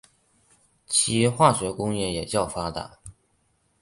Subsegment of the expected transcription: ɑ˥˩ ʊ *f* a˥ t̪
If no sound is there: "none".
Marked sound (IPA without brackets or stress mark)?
f